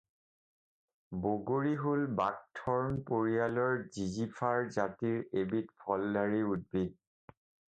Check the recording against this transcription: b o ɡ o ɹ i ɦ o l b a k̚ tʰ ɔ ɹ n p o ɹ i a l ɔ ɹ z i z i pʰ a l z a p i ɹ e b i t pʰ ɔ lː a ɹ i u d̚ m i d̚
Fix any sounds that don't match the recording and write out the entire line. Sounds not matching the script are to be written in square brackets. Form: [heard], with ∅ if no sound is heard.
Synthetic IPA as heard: b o ɡ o ɹ i ɦ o l b a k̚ tʰ ɔ ɹ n p o ɹ i a l ɔ ɹ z i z i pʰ a [ɹ] z a [t] i ɹ e b i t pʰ ɔ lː a ɹ i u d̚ [b] i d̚